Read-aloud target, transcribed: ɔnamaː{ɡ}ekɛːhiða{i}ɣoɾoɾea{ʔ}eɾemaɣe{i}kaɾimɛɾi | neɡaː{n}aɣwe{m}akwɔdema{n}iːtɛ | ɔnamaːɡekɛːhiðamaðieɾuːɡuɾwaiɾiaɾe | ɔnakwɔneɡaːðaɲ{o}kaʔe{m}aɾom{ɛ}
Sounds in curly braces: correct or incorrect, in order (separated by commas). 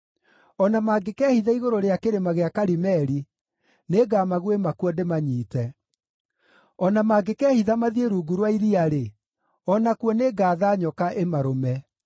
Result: correct, correct, incorrect, incorrect, incorrect, correct, incorrect, incorrect, correct, correct